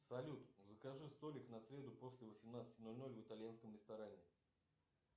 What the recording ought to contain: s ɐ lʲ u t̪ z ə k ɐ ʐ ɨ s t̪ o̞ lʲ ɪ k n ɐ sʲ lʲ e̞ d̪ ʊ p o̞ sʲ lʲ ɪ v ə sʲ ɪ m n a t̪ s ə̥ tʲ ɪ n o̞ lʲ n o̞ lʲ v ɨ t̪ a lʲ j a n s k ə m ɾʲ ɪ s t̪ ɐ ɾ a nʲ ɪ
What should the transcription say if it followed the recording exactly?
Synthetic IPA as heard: s ɐ lʲ u t̪ z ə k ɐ ʐ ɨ s t̪ o̞ lʲ ɪ k n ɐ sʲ ɾʲ e̞ d̪ ʊ p o̞ sʲ lʲ ɪ v ə sʲ ɪ m n a t̪ s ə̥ tʲ ɪ n o̞ lʲ n o̞ lʲ v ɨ t̪ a lʲ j a n s k ə m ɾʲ ɪ s t̪ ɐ ɾ a nʲ ɪ